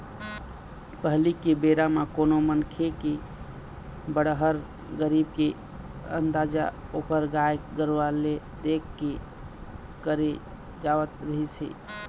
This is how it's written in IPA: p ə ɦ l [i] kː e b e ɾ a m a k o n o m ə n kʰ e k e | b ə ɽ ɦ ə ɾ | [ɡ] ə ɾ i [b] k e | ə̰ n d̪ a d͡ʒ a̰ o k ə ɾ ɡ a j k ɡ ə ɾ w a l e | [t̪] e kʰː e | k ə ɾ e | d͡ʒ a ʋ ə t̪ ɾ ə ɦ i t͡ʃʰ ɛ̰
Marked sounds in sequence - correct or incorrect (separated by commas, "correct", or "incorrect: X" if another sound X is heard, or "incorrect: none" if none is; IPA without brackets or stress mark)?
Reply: correct, correct, correct, incorrect: d̪